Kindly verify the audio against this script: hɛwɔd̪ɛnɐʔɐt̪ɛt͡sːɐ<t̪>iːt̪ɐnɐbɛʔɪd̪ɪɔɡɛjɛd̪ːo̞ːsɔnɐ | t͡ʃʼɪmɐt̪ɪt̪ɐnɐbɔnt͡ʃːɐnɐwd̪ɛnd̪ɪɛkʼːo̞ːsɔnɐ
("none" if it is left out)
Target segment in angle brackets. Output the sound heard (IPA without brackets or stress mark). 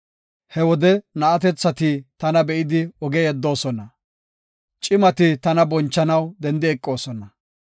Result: t̪